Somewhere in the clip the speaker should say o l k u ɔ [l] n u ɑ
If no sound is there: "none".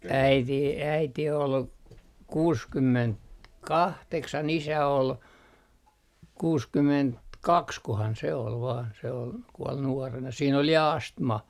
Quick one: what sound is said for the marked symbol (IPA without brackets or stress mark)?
l